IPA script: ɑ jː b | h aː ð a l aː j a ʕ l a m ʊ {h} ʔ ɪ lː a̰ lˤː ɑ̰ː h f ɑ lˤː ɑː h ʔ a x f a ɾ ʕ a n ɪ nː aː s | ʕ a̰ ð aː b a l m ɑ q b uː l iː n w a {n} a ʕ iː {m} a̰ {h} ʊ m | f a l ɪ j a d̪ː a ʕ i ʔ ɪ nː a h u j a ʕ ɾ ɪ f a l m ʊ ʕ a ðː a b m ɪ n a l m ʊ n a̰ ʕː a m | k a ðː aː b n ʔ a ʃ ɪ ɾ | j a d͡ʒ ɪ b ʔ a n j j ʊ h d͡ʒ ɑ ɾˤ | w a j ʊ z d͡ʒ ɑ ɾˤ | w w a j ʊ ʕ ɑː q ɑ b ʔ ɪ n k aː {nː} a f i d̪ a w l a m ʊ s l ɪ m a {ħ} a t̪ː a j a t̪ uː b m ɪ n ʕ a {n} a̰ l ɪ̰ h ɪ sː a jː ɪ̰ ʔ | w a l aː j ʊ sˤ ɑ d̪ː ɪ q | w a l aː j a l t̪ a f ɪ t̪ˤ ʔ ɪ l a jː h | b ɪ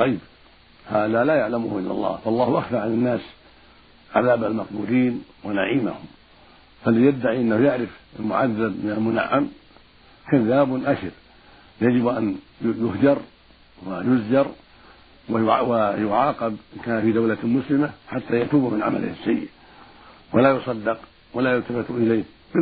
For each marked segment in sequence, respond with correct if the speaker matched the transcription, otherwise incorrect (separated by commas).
correct, correct, correct, correct, incorrect, correct, incorrect